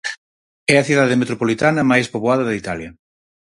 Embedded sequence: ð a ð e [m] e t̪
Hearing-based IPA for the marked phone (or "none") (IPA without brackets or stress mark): m